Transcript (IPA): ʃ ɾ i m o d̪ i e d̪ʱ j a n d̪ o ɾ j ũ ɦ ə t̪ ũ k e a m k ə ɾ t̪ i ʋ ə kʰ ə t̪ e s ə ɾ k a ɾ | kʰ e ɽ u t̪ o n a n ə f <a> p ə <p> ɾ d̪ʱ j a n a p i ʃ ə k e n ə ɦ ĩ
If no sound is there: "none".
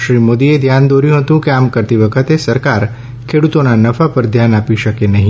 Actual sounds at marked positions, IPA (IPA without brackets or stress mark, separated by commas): a, none